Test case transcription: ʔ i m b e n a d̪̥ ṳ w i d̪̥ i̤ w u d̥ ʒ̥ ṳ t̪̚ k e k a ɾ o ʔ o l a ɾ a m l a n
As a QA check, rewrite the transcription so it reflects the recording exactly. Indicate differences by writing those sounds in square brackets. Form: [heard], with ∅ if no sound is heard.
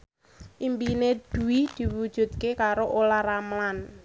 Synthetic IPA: ʔ i m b [i] n [e] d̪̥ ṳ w i d̪̥ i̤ w u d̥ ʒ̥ ṳ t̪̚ k e k a ɾ o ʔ o l a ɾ a m l a n